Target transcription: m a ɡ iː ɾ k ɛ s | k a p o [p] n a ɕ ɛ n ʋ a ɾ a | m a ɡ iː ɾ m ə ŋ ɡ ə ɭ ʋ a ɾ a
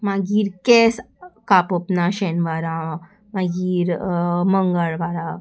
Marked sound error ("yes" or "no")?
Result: no